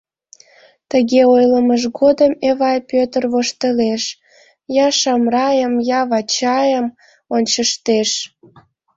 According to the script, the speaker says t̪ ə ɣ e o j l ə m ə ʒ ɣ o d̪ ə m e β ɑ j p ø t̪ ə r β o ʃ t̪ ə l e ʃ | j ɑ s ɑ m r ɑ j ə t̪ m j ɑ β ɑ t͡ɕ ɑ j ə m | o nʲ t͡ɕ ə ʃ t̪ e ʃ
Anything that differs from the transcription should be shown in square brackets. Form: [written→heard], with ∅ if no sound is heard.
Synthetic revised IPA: t̪ ə ɣ e o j l ə m ə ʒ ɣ o d̪ ə m e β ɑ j p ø t̪ ə r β o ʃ t̪ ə l e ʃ | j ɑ [s→ʃ] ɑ m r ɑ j ə [t̪→∅] m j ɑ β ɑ t͡ɕ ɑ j ə m | o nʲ t͡ɕ ə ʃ t̪ e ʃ